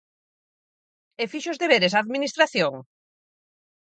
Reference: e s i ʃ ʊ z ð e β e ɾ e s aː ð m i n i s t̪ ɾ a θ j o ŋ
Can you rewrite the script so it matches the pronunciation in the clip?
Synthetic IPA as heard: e f i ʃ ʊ z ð e β e ɾ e s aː ð m i n i s t̪ ɾ a θ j o ŋ